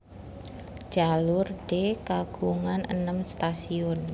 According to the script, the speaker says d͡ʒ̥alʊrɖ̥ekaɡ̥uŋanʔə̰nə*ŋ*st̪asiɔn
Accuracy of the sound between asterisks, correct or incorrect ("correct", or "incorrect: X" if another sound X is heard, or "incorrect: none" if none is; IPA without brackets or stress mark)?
incorrect: m